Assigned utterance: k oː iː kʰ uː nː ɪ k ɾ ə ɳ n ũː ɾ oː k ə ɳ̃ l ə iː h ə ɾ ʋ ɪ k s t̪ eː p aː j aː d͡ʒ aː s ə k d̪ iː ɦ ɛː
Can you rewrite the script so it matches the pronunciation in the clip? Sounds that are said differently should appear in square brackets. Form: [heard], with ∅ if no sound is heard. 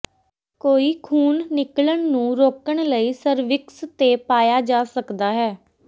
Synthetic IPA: k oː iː kʰ uː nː ɪ k [l] ə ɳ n ũː ɾ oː k ə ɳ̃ l ə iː [s] ə ɾ ʋ ɪ k s t̪ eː p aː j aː d͡ʒ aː s ə k d̪ [aː] ɦ ɛː